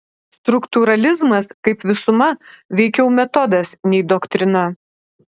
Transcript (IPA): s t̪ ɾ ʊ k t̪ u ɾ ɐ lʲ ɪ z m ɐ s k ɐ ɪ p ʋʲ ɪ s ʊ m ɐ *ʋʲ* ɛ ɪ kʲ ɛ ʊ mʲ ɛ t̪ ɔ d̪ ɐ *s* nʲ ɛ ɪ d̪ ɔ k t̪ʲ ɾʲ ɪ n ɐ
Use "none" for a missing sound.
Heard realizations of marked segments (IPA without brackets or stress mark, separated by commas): ʋʲ, s